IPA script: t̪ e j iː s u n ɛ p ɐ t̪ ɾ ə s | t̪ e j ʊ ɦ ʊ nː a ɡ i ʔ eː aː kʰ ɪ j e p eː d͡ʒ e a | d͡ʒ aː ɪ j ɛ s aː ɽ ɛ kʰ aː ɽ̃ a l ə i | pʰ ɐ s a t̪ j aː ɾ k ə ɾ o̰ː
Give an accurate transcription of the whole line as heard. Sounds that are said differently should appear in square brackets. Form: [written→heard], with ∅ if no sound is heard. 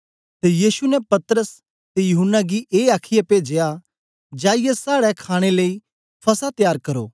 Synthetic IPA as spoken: t̪ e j iː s u n ɛ p ɐ t̪ ɾ ə s | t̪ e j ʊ ɦ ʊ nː a ɡ i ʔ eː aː kʰ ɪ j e p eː d͡ʒ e a | d͡ʒ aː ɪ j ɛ s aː ɽ ɛ kʰ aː ɽ̃ [a→e] l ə i | pʰ ɐ s a t̪ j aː ɾ k [ə→ɐ] ɾ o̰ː